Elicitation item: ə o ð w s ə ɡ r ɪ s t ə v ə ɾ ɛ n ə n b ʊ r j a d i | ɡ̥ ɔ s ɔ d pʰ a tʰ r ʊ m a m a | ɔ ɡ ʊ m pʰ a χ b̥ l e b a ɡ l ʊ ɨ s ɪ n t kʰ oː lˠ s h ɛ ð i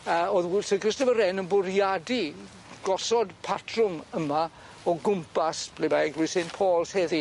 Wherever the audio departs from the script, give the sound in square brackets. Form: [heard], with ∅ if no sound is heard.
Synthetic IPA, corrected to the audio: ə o ð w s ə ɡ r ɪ s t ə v ə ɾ ɛ n ə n b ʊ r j a d i | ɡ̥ ɔ s ɔ d pʰ a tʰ r ʊ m [ə] m a | ɔ ɡ ʊ m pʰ a [s] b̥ l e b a ɡ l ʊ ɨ s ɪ n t [pʰ] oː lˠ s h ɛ ð i

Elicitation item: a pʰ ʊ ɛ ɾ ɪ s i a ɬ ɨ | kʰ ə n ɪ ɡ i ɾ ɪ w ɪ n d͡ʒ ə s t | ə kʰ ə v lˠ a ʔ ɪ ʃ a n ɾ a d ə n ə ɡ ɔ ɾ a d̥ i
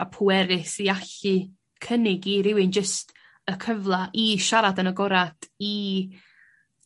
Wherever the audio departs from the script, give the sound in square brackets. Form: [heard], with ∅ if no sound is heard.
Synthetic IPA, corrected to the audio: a pʰ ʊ ɛ ɾ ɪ s i a ɬ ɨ | kʰ ə n ɪ ɡ i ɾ ɪ w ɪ n d͡ʒ ə s t | ə kʰ ə v lˠ a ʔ [i] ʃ a [∅] ɾ a d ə n ə ɡ ɔ ɾ a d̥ i

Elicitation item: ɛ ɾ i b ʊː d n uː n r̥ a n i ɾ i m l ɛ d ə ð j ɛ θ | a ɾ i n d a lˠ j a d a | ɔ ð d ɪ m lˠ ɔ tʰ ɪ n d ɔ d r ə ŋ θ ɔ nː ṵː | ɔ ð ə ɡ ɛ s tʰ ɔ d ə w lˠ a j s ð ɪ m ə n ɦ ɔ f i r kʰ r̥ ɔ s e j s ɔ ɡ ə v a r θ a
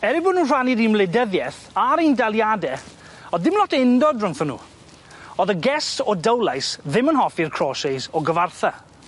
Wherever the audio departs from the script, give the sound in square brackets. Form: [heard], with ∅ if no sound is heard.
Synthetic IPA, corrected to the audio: ɛ ɾ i b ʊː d n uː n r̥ a n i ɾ i m l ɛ d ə ð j ɛ θ | a ɾ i n d a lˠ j a d [ɛ] | ɔ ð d ɪ m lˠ ɔ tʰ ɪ n d ɔ d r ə ŋ θ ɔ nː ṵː | ɔ ð ə ɡ ɛ s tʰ ɔ d ə w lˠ a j s ð ɪ m ə n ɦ ɔ f i r kʰ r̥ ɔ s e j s ɔ ɡ ə v a r θ a

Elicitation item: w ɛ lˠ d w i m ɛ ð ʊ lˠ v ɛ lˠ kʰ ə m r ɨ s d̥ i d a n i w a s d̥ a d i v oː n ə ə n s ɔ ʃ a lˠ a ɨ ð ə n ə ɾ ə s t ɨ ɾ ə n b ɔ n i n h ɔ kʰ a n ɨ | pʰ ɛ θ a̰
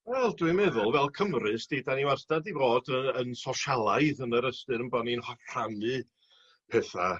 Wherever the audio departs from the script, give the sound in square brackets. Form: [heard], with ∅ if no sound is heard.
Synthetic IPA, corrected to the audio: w ɛ lˠ d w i m ɛ ð ʊ lˠ v ɛ lˠ kʰ ə m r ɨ s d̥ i d a n i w a s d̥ a d i v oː [d] ə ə n s ɔ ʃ a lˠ a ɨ ð ə n ə ɾ ə s t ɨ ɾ ə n b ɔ n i n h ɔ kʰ a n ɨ | pʰ ɛ θ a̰

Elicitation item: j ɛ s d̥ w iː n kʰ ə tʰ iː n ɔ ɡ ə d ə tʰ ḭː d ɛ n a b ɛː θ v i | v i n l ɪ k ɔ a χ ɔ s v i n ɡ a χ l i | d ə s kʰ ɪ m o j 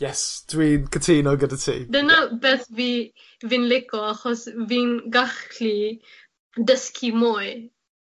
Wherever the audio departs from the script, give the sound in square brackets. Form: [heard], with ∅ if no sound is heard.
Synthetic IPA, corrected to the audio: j ɛ s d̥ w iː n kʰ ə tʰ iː n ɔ ɡ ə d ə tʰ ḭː d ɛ n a b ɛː θ v i | v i n l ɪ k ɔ a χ ɔ s v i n ɡ a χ l i | d ə s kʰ [i] m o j

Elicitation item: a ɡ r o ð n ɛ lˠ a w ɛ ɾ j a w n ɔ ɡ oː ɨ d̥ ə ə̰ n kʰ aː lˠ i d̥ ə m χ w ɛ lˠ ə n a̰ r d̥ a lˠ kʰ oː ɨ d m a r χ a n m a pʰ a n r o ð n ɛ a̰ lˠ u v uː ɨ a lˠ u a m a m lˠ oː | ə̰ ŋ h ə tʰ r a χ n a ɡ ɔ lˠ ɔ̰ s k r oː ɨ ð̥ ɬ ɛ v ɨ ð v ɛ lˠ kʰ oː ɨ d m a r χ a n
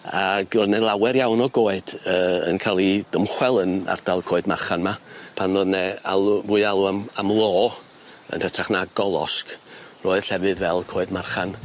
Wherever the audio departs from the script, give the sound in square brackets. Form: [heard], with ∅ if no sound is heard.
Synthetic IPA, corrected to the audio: a ɡ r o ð n ɛ lˠ a w ɛ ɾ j a w n ɔ ɡ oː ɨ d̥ ə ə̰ n kʰ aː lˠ i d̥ ə m χ w ɛ lˠ ə n a̰ r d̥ a lˠ kʰ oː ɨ d m a r χ a n m a pʰ a n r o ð n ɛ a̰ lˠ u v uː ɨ a lˠ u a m a m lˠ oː | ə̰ [n] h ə tʰ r a χ n a ɡ ɔ lˠ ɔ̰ s k r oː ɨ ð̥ ɬ ɛ v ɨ ð v ɛ lˠ kʰ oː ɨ d m a r χ a n

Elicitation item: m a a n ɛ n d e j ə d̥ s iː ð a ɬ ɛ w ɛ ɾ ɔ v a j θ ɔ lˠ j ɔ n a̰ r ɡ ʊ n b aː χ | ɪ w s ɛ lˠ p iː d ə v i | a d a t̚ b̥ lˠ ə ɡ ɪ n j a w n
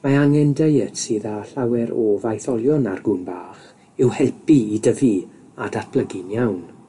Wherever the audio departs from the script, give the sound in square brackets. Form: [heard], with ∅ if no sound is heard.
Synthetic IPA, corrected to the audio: m a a [ŋ] ɛ n d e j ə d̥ s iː ð a ɬ [a] w ɛ ɾ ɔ v a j θ ɔ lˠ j ɔ n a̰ r ɡ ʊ n b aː χ | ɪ w [h] ɛ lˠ p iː d ə v i | a d a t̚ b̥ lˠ ə ɡ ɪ n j a w n

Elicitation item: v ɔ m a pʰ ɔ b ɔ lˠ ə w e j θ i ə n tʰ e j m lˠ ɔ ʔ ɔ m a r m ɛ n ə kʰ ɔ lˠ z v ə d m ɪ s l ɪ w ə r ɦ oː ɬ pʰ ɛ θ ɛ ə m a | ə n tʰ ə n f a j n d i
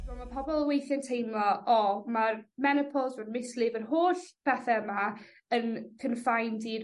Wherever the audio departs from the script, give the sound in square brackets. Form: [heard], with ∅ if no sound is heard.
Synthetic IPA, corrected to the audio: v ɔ m a pʰ ɔ b ɔ lˠ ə w e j θ [j] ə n tʰ e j m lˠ ɔ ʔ ɔ m a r m ɛ n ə [pʰ] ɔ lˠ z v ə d m ɪ s l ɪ [v] ə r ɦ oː ɬ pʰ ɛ θ ɛ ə m a | ə n [kʰ] ə n f a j n d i

